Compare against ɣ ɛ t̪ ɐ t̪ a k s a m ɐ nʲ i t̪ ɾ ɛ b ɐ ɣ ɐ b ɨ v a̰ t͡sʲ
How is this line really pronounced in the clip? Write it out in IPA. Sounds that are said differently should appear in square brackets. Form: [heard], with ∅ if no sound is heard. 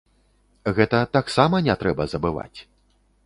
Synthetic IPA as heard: ɣ ɛ t̪ ɐ t̪ a k s a m ɐ nʲ [ɛ] t̪ ɾ ɛ b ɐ [z] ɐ b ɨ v a̰ t͡sʲ